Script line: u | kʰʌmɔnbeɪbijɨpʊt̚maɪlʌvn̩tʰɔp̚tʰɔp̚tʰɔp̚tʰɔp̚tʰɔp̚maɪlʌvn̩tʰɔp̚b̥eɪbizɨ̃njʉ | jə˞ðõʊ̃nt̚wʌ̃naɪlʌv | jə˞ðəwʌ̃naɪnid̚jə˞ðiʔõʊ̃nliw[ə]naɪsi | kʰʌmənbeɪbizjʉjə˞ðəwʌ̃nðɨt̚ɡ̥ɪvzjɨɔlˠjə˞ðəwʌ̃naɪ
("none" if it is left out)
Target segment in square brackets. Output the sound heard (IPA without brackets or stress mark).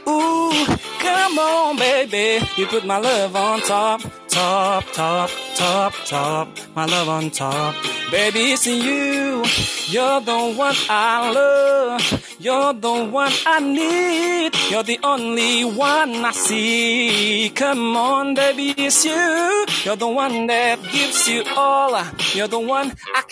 ʌ